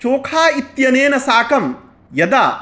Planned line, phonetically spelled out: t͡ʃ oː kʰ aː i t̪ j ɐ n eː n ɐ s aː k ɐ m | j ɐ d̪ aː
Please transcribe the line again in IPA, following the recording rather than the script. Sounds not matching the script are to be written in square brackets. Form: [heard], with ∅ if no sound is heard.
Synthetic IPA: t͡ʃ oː kʰ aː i t̪ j ɐ n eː n ɐ s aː k ɐ m | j ɐ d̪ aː